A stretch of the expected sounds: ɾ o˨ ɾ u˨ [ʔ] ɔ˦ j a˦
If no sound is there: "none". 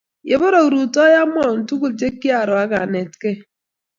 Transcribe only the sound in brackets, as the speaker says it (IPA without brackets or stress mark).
t